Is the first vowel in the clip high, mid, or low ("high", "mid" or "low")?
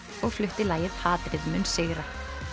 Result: mid